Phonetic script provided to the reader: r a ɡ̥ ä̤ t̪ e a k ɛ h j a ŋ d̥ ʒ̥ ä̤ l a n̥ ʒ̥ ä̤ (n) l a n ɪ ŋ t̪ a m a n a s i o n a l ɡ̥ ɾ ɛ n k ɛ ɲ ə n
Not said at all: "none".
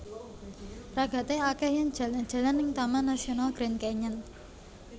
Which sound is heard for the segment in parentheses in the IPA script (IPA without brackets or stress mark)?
none